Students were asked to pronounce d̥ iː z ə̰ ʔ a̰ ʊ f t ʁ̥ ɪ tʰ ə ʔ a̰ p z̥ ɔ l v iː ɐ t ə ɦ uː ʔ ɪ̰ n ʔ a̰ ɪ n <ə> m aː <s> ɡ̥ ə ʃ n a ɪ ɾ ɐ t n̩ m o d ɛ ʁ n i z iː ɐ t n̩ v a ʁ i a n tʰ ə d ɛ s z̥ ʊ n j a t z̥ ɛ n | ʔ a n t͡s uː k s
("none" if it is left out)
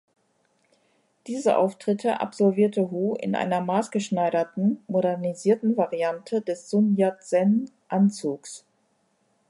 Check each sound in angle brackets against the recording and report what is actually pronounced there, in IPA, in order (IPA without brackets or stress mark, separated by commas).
ɐ, s